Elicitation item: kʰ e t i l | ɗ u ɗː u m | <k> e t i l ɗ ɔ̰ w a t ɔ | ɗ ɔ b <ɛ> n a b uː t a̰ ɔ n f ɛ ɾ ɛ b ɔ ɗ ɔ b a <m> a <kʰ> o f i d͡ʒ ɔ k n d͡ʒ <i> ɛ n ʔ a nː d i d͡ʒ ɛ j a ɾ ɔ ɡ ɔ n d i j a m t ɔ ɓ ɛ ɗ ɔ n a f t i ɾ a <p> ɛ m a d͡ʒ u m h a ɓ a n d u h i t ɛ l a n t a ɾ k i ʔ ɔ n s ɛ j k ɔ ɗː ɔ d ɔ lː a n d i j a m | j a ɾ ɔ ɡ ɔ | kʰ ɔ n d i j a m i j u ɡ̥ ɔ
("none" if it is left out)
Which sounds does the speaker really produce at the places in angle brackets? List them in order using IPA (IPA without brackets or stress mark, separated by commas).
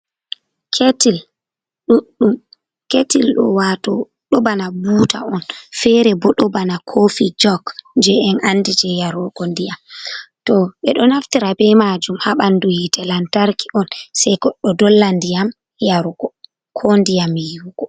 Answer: k, a, n, kʰ, ɛ, b